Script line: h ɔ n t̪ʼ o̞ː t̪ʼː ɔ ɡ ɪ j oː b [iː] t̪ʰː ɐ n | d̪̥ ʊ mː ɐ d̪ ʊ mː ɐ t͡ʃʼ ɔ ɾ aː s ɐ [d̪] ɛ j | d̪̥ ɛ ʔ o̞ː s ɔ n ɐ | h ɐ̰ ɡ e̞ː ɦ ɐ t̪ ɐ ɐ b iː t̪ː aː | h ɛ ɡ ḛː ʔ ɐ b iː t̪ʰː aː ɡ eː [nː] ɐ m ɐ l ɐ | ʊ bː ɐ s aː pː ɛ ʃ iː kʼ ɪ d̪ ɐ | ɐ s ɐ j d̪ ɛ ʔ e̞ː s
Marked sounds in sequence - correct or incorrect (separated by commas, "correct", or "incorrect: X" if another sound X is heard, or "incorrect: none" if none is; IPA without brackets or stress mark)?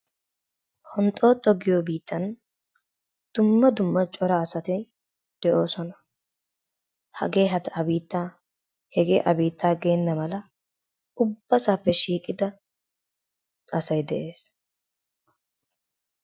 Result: correct, incorrect: t̪, correct